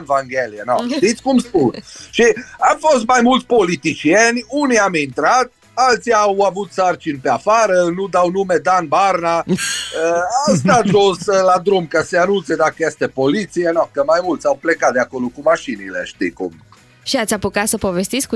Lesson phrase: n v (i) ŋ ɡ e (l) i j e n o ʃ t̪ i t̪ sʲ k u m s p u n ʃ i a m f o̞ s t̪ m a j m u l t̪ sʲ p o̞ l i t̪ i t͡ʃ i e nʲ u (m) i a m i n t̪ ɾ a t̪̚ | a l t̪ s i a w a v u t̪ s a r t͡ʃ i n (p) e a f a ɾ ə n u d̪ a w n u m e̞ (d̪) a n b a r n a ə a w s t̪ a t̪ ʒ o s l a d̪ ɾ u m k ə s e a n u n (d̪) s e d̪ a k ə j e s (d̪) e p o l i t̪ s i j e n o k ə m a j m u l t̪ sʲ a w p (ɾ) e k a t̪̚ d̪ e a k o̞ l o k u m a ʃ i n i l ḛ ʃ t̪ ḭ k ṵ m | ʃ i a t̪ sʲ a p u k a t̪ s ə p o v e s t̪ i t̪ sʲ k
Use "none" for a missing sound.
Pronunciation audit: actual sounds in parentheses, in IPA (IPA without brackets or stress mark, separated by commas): a, l, n, p, d̪, t̪, t̪, l